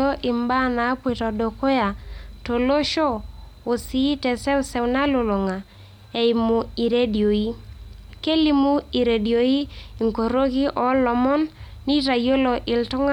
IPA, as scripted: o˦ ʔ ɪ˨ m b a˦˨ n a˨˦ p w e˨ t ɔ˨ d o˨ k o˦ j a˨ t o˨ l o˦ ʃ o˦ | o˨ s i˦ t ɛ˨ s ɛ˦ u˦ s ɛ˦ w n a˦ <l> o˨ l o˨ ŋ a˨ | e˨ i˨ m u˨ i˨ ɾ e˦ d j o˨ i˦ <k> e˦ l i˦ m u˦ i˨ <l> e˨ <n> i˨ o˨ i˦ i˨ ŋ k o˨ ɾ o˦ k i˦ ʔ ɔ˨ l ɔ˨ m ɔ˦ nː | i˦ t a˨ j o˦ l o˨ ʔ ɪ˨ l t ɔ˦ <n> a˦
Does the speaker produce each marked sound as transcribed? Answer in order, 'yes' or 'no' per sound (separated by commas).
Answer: yes, yes, no, no, no